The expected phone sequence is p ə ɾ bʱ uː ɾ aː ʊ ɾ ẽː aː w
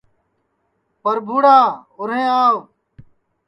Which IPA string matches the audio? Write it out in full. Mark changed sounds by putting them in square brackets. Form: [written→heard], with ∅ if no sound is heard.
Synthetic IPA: p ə ɾ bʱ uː [ɾ→ɽ] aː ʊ ɾ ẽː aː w